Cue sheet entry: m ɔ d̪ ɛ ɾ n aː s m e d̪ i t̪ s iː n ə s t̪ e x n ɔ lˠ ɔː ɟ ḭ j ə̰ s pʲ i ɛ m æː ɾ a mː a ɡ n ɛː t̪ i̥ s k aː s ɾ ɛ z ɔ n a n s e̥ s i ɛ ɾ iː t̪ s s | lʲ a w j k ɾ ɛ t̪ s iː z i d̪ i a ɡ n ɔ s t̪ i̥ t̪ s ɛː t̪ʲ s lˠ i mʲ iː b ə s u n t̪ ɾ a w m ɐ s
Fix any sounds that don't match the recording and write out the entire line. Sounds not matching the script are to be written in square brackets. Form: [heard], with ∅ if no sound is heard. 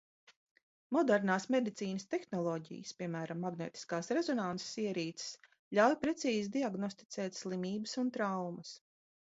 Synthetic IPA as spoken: m ɔ d̪ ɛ ɾ n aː s m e d̪ i t̪ s iː n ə s t̪ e x n ɔ lˠ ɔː ɟ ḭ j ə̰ s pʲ i ɛ m æː ɾ a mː a ɡ n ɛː t̪ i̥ s k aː s ɾ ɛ z ɔ n a n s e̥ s i ɛ ɾ iː t̪ s s | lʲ a w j [p] ɾ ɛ t̪ s iː z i d̪ i a ɡ n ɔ s t̪ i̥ t̪ s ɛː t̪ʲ s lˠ i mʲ iː b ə s u n t̪ ɾ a w m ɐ s